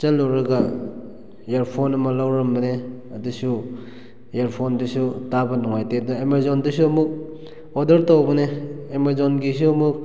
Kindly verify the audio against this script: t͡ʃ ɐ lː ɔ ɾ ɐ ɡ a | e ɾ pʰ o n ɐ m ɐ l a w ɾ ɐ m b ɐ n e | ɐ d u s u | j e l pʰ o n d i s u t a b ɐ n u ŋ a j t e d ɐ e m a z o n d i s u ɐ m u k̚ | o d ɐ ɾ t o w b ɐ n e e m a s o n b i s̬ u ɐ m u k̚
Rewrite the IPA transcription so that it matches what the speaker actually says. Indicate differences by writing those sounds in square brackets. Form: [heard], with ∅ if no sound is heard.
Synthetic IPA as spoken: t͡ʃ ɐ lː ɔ ɾ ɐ ɡ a | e ɾ pʰ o n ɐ m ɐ l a w ɾ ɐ m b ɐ n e | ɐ d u s u | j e [ɾ] pʰ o n d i s u t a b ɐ n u ŋ a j t e d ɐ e m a z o n d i s u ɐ m u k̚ | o d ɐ ɾ t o w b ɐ n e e m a [z] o n [ɡ] i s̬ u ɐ m u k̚